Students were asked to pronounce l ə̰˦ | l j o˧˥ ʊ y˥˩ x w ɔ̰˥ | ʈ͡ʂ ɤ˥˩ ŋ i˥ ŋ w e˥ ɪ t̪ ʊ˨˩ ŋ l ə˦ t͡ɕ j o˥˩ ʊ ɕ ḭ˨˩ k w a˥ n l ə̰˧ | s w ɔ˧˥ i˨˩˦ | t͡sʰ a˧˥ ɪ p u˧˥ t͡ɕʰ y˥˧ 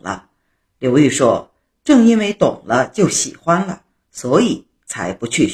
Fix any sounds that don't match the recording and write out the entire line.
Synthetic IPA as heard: l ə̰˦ | l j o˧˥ ʊ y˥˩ ʂ w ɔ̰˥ | ʈ͡ʂ ɤ˥˩ ŋ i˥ n w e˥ ɪ t̪ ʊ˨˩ ŋ l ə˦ t͡ɕ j o˥˩ ʊ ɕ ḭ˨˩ x w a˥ n l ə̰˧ | s w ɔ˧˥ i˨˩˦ | t͡sʰ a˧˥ ɪ p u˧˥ t͡ɕʰ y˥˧